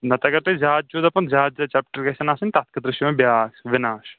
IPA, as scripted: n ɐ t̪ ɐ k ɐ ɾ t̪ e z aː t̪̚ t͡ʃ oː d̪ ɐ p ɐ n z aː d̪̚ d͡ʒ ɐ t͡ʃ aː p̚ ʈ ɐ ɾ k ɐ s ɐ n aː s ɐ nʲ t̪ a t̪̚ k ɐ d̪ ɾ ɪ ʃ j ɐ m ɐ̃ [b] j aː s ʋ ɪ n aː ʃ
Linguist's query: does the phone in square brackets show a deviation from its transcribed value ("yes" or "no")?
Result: no